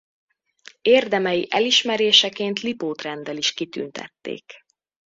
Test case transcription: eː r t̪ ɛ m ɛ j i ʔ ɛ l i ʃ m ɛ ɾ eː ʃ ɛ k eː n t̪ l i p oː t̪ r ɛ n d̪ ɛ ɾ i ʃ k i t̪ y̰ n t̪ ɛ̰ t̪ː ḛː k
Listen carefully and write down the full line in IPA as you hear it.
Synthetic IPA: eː r d̪ ɛ m ɛ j i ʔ ɛ l i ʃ m ɛ ɾ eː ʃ ɛ k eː n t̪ l i p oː t̪ r ɛ n d̪ ɛ l i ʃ k i t̪ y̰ n t̪ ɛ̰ t̪ː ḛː k